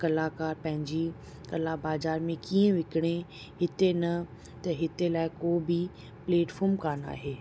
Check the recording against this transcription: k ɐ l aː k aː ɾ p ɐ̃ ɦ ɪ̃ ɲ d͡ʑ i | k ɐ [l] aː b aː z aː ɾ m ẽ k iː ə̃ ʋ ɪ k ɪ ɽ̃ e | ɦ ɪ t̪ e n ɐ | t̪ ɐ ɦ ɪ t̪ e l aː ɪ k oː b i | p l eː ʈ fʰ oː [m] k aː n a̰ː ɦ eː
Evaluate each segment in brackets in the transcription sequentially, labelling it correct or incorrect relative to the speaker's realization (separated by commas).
correct, correct